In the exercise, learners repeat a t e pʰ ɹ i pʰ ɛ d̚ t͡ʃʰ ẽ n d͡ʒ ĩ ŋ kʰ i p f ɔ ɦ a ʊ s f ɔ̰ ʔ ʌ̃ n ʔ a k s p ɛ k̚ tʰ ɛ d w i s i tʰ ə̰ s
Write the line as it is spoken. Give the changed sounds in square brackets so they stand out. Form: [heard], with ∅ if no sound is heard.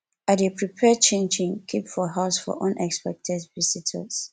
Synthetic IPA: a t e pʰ ɹ i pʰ ɛ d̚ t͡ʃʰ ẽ n d͡ʒ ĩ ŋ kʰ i p f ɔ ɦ a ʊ s f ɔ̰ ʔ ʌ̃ n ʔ [ɛ] k s p ɛ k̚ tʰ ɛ d [v] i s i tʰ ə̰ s

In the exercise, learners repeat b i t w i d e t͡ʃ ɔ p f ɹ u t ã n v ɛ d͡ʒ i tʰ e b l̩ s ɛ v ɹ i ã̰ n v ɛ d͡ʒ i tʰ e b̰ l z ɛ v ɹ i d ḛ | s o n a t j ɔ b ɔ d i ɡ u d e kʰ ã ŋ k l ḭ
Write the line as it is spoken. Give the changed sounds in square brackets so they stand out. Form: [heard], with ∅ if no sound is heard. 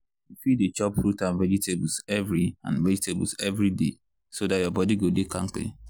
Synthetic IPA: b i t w i d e t͡ʃ ɔ p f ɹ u t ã n v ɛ d͡ʒ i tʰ e b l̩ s ɛ v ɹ i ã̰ n v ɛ d͡ʒ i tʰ e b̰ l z ɛ v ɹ i d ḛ | s o [d] a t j ɔ b ɔ d i ɡ [o] d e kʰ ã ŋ k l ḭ

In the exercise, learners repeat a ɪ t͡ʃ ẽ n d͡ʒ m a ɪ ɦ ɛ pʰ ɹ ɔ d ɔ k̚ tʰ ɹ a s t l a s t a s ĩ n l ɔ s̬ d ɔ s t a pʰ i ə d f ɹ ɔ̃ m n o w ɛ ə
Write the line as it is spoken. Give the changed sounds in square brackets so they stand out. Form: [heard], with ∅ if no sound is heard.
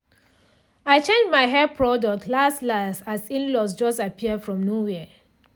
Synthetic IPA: a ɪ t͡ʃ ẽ n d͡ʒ m a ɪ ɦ ɛ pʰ ɹ ɔ d ɔ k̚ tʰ [l] a s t l a s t a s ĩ n l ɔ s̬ [d͡ʒ] ɔ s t a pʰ i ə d f ɹ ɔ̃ m n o w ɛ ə

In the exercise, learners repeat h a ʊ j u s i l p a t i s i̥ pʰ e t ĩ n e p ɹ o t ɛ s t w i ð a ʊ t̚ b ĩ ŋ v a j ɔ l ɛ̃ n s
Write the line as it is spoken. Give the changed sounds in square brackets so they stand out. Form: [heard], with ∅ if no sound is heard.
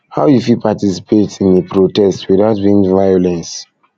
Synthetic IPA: h a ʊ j u [f] i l p a t i s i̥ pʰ e t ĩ n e p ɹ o t ɛ s t w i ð a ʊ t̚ b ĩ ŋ v a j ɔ l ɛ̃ n s

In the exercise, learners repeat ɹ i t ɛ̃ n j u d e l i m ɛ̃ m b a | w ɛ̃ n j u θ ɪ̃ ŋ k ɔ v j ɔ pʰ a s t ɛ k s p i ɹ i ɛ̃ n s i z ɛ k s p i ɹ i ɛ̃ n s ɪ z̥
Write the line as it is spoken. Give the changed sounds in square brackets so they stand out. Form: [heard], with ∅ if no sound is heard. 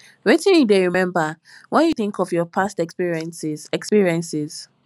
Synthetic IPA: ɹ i t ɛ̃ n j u d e [ɹ] i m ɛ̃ m b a | w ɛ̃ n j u θ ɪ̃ ŋ k ɔ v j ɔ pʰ a s t ɛ k s p i ɹ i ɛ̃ n s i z ɛ k s p i ɹ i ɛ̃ n s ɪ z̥

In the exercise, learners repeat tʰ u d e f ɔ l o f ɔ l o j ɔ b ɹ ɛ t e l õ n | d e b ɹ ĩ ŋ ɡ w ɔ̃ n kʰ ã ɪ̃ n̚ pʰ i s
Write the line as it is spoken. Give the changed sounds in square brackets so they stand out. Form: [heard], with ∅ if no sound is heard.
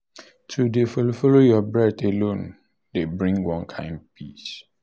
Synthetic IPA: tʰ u d e f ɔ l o f ɔ l o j ɔ b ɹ ɛ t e l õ n | d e b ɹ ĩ ŋ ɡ w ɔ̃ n kʰ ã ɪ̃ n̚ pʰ i s

